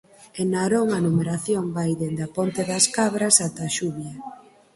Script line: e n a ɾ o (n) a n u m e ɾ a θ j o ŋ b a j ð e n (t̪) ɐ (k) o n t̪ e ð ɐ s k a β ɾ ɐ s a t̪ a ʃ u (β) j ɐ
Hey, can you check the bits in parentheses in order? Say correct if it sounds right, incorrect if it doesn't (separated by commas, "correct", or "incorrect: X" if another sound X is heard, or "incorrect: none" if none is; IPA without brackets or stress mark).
incorrect: ŋ, incorrect: d̪, incorrect: p, correct